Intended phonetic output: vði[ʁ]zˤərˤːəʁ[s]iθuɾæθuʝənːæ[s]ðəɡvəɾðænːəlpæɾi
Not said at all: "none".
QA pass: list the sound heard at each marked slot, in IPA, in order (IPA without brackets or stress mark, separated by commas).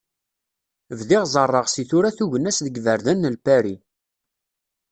ʁ, s, s